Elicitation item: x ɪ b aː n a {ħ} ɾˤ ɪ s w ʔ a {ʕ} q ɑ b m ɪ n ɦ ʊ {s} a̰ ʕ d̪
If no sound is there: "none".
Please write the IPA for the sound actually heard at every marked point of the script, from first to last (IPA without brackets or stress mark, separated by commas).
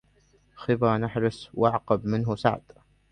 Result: ħ, ʕ, s